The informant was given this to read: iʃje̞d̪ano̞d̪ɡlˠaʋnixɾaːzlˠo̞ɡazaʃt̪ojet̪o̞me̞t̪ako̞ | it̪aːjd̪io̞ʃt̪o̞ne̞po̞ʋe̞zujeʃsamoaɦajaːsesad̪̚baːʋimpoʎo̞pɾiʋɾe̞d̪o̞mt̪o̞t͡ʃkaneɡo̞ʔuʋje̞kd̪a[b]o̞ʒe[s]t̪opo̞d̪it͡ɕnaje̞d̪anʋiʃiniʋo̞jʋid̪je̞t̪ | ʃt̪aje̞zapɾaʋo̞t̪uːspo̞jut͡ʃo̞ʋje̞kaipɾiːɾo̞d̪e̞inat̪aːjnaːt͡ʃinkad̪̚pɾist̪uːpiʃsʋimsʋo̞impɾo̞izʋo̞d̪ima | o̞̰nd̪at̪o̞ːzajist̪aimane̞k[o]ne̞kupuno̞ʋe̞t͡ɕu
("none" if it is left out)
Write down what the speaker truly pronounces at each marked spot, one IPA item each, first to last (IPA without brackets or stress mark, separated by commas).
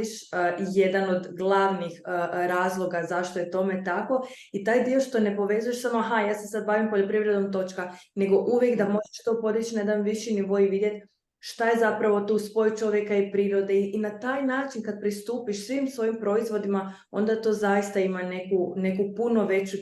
m, ʃ, u